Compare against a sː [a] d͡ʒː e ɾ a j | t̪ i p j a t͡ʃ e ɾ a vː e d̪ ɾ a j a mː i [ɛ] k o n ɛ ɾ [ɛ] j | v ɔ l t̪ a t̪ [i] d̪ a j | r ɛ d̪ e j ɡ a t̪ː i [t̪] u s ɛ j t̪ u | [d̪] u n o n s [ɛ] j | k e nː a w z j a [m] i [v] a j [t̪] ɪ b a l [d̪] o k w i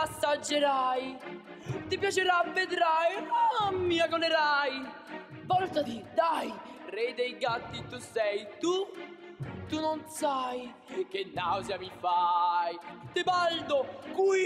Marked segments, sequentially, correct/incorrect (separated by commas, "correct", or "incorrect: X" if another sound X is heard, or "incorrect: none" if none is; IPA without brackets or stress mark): correct, incorrect: a, incorrect: a, correct, correct, incorrect: t̪, incorrect: a, correct, incorrect: f, correct, correct